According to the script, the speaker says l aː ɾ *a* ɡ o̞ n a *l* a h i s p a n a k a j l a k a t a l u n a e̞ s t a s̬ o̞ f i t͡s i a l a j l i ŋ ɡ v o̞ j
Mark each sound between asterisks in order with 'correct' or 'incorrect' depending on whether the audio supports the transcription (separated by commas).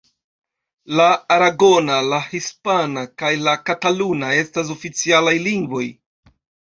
correct, correct